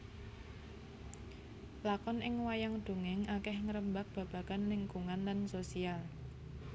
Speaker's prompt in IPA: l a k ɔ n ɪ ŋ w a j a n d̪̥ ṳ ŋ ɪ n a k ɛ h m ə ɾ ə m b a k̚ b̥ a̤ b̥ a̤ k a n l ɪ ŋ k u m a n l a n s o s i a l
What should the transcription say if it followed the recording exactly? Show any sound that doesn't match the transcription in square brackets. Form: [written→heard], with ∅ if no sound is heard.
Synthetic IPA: l a k ɔ n ɪ ŋ w a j a [n→ŋ] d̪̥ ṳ ŋ ɪ [n→ŋ] a k ɛ h [m→ŋ] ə ɾ ə m b a k̚ b̥ a̤ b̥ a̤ k a n l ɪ ŋ k u [m→ŋ] a n l a n s o s i a l